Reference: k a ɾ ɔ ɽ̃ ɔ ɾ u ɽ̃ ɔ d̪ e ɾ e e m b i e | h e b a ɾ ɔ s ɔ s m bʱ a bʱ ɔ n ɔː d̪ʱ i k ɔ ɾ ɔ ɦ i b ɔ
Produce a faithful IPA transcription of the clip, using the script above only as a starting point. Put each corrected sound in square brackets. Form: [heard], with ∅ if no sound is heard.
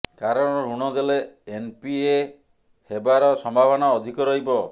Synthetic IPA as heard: k a ɾ ɔ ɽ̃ ɔ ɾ u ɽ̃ ɔ d̪ e [l] e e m [p] i e | h e b a ɾ ɔ s ɔ [∅] m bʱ a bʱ ɔ n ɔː d̪ʱ i k ɔ ɾ ɔ ɦ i b ɔ